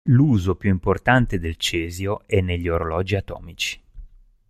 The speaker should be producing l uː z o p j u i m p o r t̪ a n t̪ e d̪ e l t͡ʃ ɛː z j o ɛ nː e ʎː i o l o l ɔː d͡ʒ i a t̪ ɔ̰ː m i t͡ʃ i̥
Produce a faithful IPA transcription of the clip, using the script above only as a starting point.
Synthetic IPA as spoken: l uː z o p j u i m p o r t̪ a n t̪ e d̪ e l t͡ʃ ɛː z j o ɛ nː e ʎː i o ɾ o l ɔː d͡ʒ i a t̪ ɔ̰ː m i t͡ʃ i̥